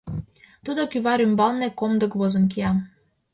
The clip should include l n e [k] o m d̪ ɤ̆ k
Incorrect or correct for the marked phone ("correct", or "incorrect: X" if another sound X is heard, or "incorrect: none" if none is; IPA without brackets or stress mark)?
correct